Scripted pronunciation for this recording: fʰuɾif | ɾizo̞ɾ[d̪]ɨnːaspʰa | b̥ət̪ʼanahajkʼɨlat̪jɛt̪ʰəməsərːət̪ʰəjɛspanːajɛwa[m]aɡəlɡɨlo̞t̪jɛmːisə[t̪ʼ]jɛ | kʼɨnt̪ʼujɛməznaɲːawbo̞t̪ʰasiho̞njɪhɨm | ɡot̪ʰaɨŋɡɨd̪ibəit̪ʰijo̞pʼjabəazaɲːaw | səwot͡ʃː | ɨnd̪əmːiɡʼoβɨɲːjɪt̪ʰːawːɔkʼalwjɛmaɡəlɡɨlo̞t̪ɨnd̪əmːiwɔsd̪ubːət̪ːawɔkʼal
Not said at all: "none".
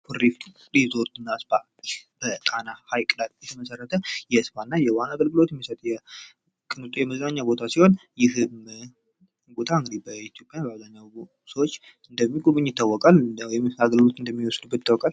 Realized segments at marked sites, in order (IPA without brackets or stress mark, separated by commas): t̪, n, t̪ʼ